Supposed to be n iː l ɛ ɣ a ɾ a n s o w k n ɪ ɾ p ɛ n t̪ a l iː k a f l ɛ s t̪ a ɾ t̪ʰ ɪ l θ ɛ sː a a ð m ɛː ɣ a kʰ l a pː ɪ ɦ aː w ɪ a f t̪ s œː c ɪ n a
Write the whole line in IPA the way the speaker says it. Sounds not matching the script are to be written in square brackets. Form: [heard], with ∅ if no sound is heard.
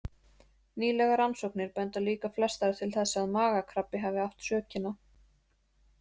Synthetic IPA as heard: n iː l ɛ ɣ a ɾ a n s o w k n ɪ ɾ p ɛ n t̪ a l iː k a f l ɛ s t̪ a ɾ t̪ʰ ɪ l θ ɛ sː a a ð m [aː] ɣ a kʰ [ɾ] a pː ɪ ɦ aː [v] ɪ a f t̪ s œː c ɪ n a